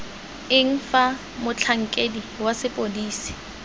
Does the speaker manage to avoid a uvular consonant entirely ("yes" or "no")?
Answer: yes